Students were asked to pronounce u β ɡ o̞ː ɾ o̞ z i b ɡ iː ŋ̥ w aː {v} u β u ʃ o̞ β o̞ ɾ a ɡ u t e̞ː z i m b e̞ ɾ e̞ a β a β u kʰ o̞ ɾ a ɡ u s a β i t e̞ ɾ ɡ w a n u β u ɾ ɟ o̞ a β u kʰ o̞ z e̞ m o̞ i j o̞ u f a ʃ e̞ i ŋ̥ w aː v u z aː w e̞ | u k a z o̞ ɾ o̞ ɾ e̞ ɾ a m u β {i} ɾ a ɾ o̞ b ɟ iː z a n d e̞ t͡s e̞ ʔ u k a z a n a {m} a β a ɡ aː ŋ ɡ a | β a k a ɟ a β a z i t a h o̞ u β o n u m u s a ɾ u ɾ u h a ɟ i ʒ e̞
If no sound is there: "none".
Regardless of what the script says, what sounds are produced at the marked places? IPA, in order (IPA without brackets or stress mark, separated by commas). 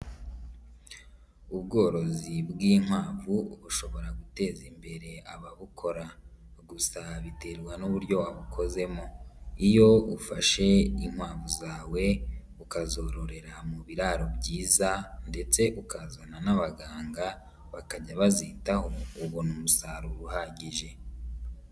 v, i, n